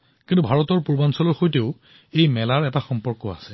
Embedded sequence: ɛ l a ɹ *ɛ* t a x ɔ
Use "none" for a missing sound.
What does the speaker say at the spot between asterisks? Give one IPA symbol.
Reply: ɛ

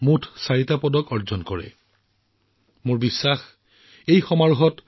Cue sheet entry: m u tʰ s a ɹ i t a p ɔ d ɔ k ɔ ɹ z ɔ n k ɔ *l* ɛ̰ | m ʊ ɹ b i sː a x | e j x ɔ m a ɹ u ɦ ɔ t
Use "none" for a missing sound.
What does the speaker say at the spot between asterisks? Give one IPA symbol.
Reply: ɹ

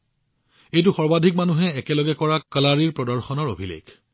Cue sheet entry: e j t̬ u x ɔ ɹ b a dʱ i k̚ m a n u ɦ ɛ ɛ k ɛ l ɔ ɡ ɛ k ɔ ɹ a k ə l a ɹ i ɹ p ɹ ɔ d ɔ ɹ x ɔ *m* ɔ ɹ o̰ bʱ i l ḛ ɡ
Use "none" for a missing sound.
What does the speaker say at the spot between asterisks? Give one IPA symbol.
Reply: n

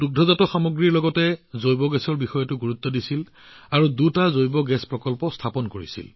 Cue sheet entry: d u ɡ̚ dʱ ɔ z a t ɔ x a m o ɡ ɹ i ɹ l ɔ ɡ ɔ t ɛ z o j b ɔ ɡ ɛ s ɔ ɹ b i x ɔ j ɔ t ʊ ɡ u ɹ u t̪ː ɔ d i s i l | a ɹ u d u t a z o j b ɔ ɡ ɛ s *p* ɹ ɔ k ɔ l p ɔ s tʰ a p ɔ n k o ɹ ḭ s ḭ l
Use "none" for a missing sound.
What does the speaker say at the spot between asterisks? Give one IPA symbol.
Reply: p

